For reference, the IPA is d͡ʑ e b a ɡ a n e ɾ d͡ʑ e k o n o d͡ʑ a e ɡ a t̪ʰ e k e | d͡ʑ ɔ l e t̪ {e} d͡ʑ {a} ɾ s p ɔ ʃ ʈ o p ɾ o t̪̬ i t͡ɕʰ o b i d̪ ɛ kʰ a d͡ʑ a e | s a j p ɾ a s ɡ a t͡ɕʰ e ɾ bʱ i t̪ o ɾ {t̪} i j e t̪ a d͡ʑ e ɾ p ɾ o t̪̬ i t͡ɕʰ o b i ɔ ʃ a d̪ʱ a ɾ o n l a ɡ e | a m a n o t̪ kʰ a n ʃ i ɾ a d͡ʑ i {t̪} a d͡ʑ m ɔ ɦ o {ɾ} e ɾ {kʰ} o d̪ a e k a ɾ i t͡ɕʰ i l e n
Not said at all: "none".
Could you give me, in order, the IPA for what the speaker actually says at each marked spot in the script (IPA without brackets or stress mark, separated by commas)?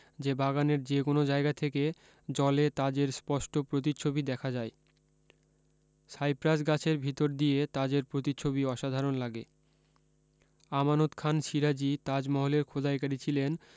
a, e, d̪, t̪, l, kʰ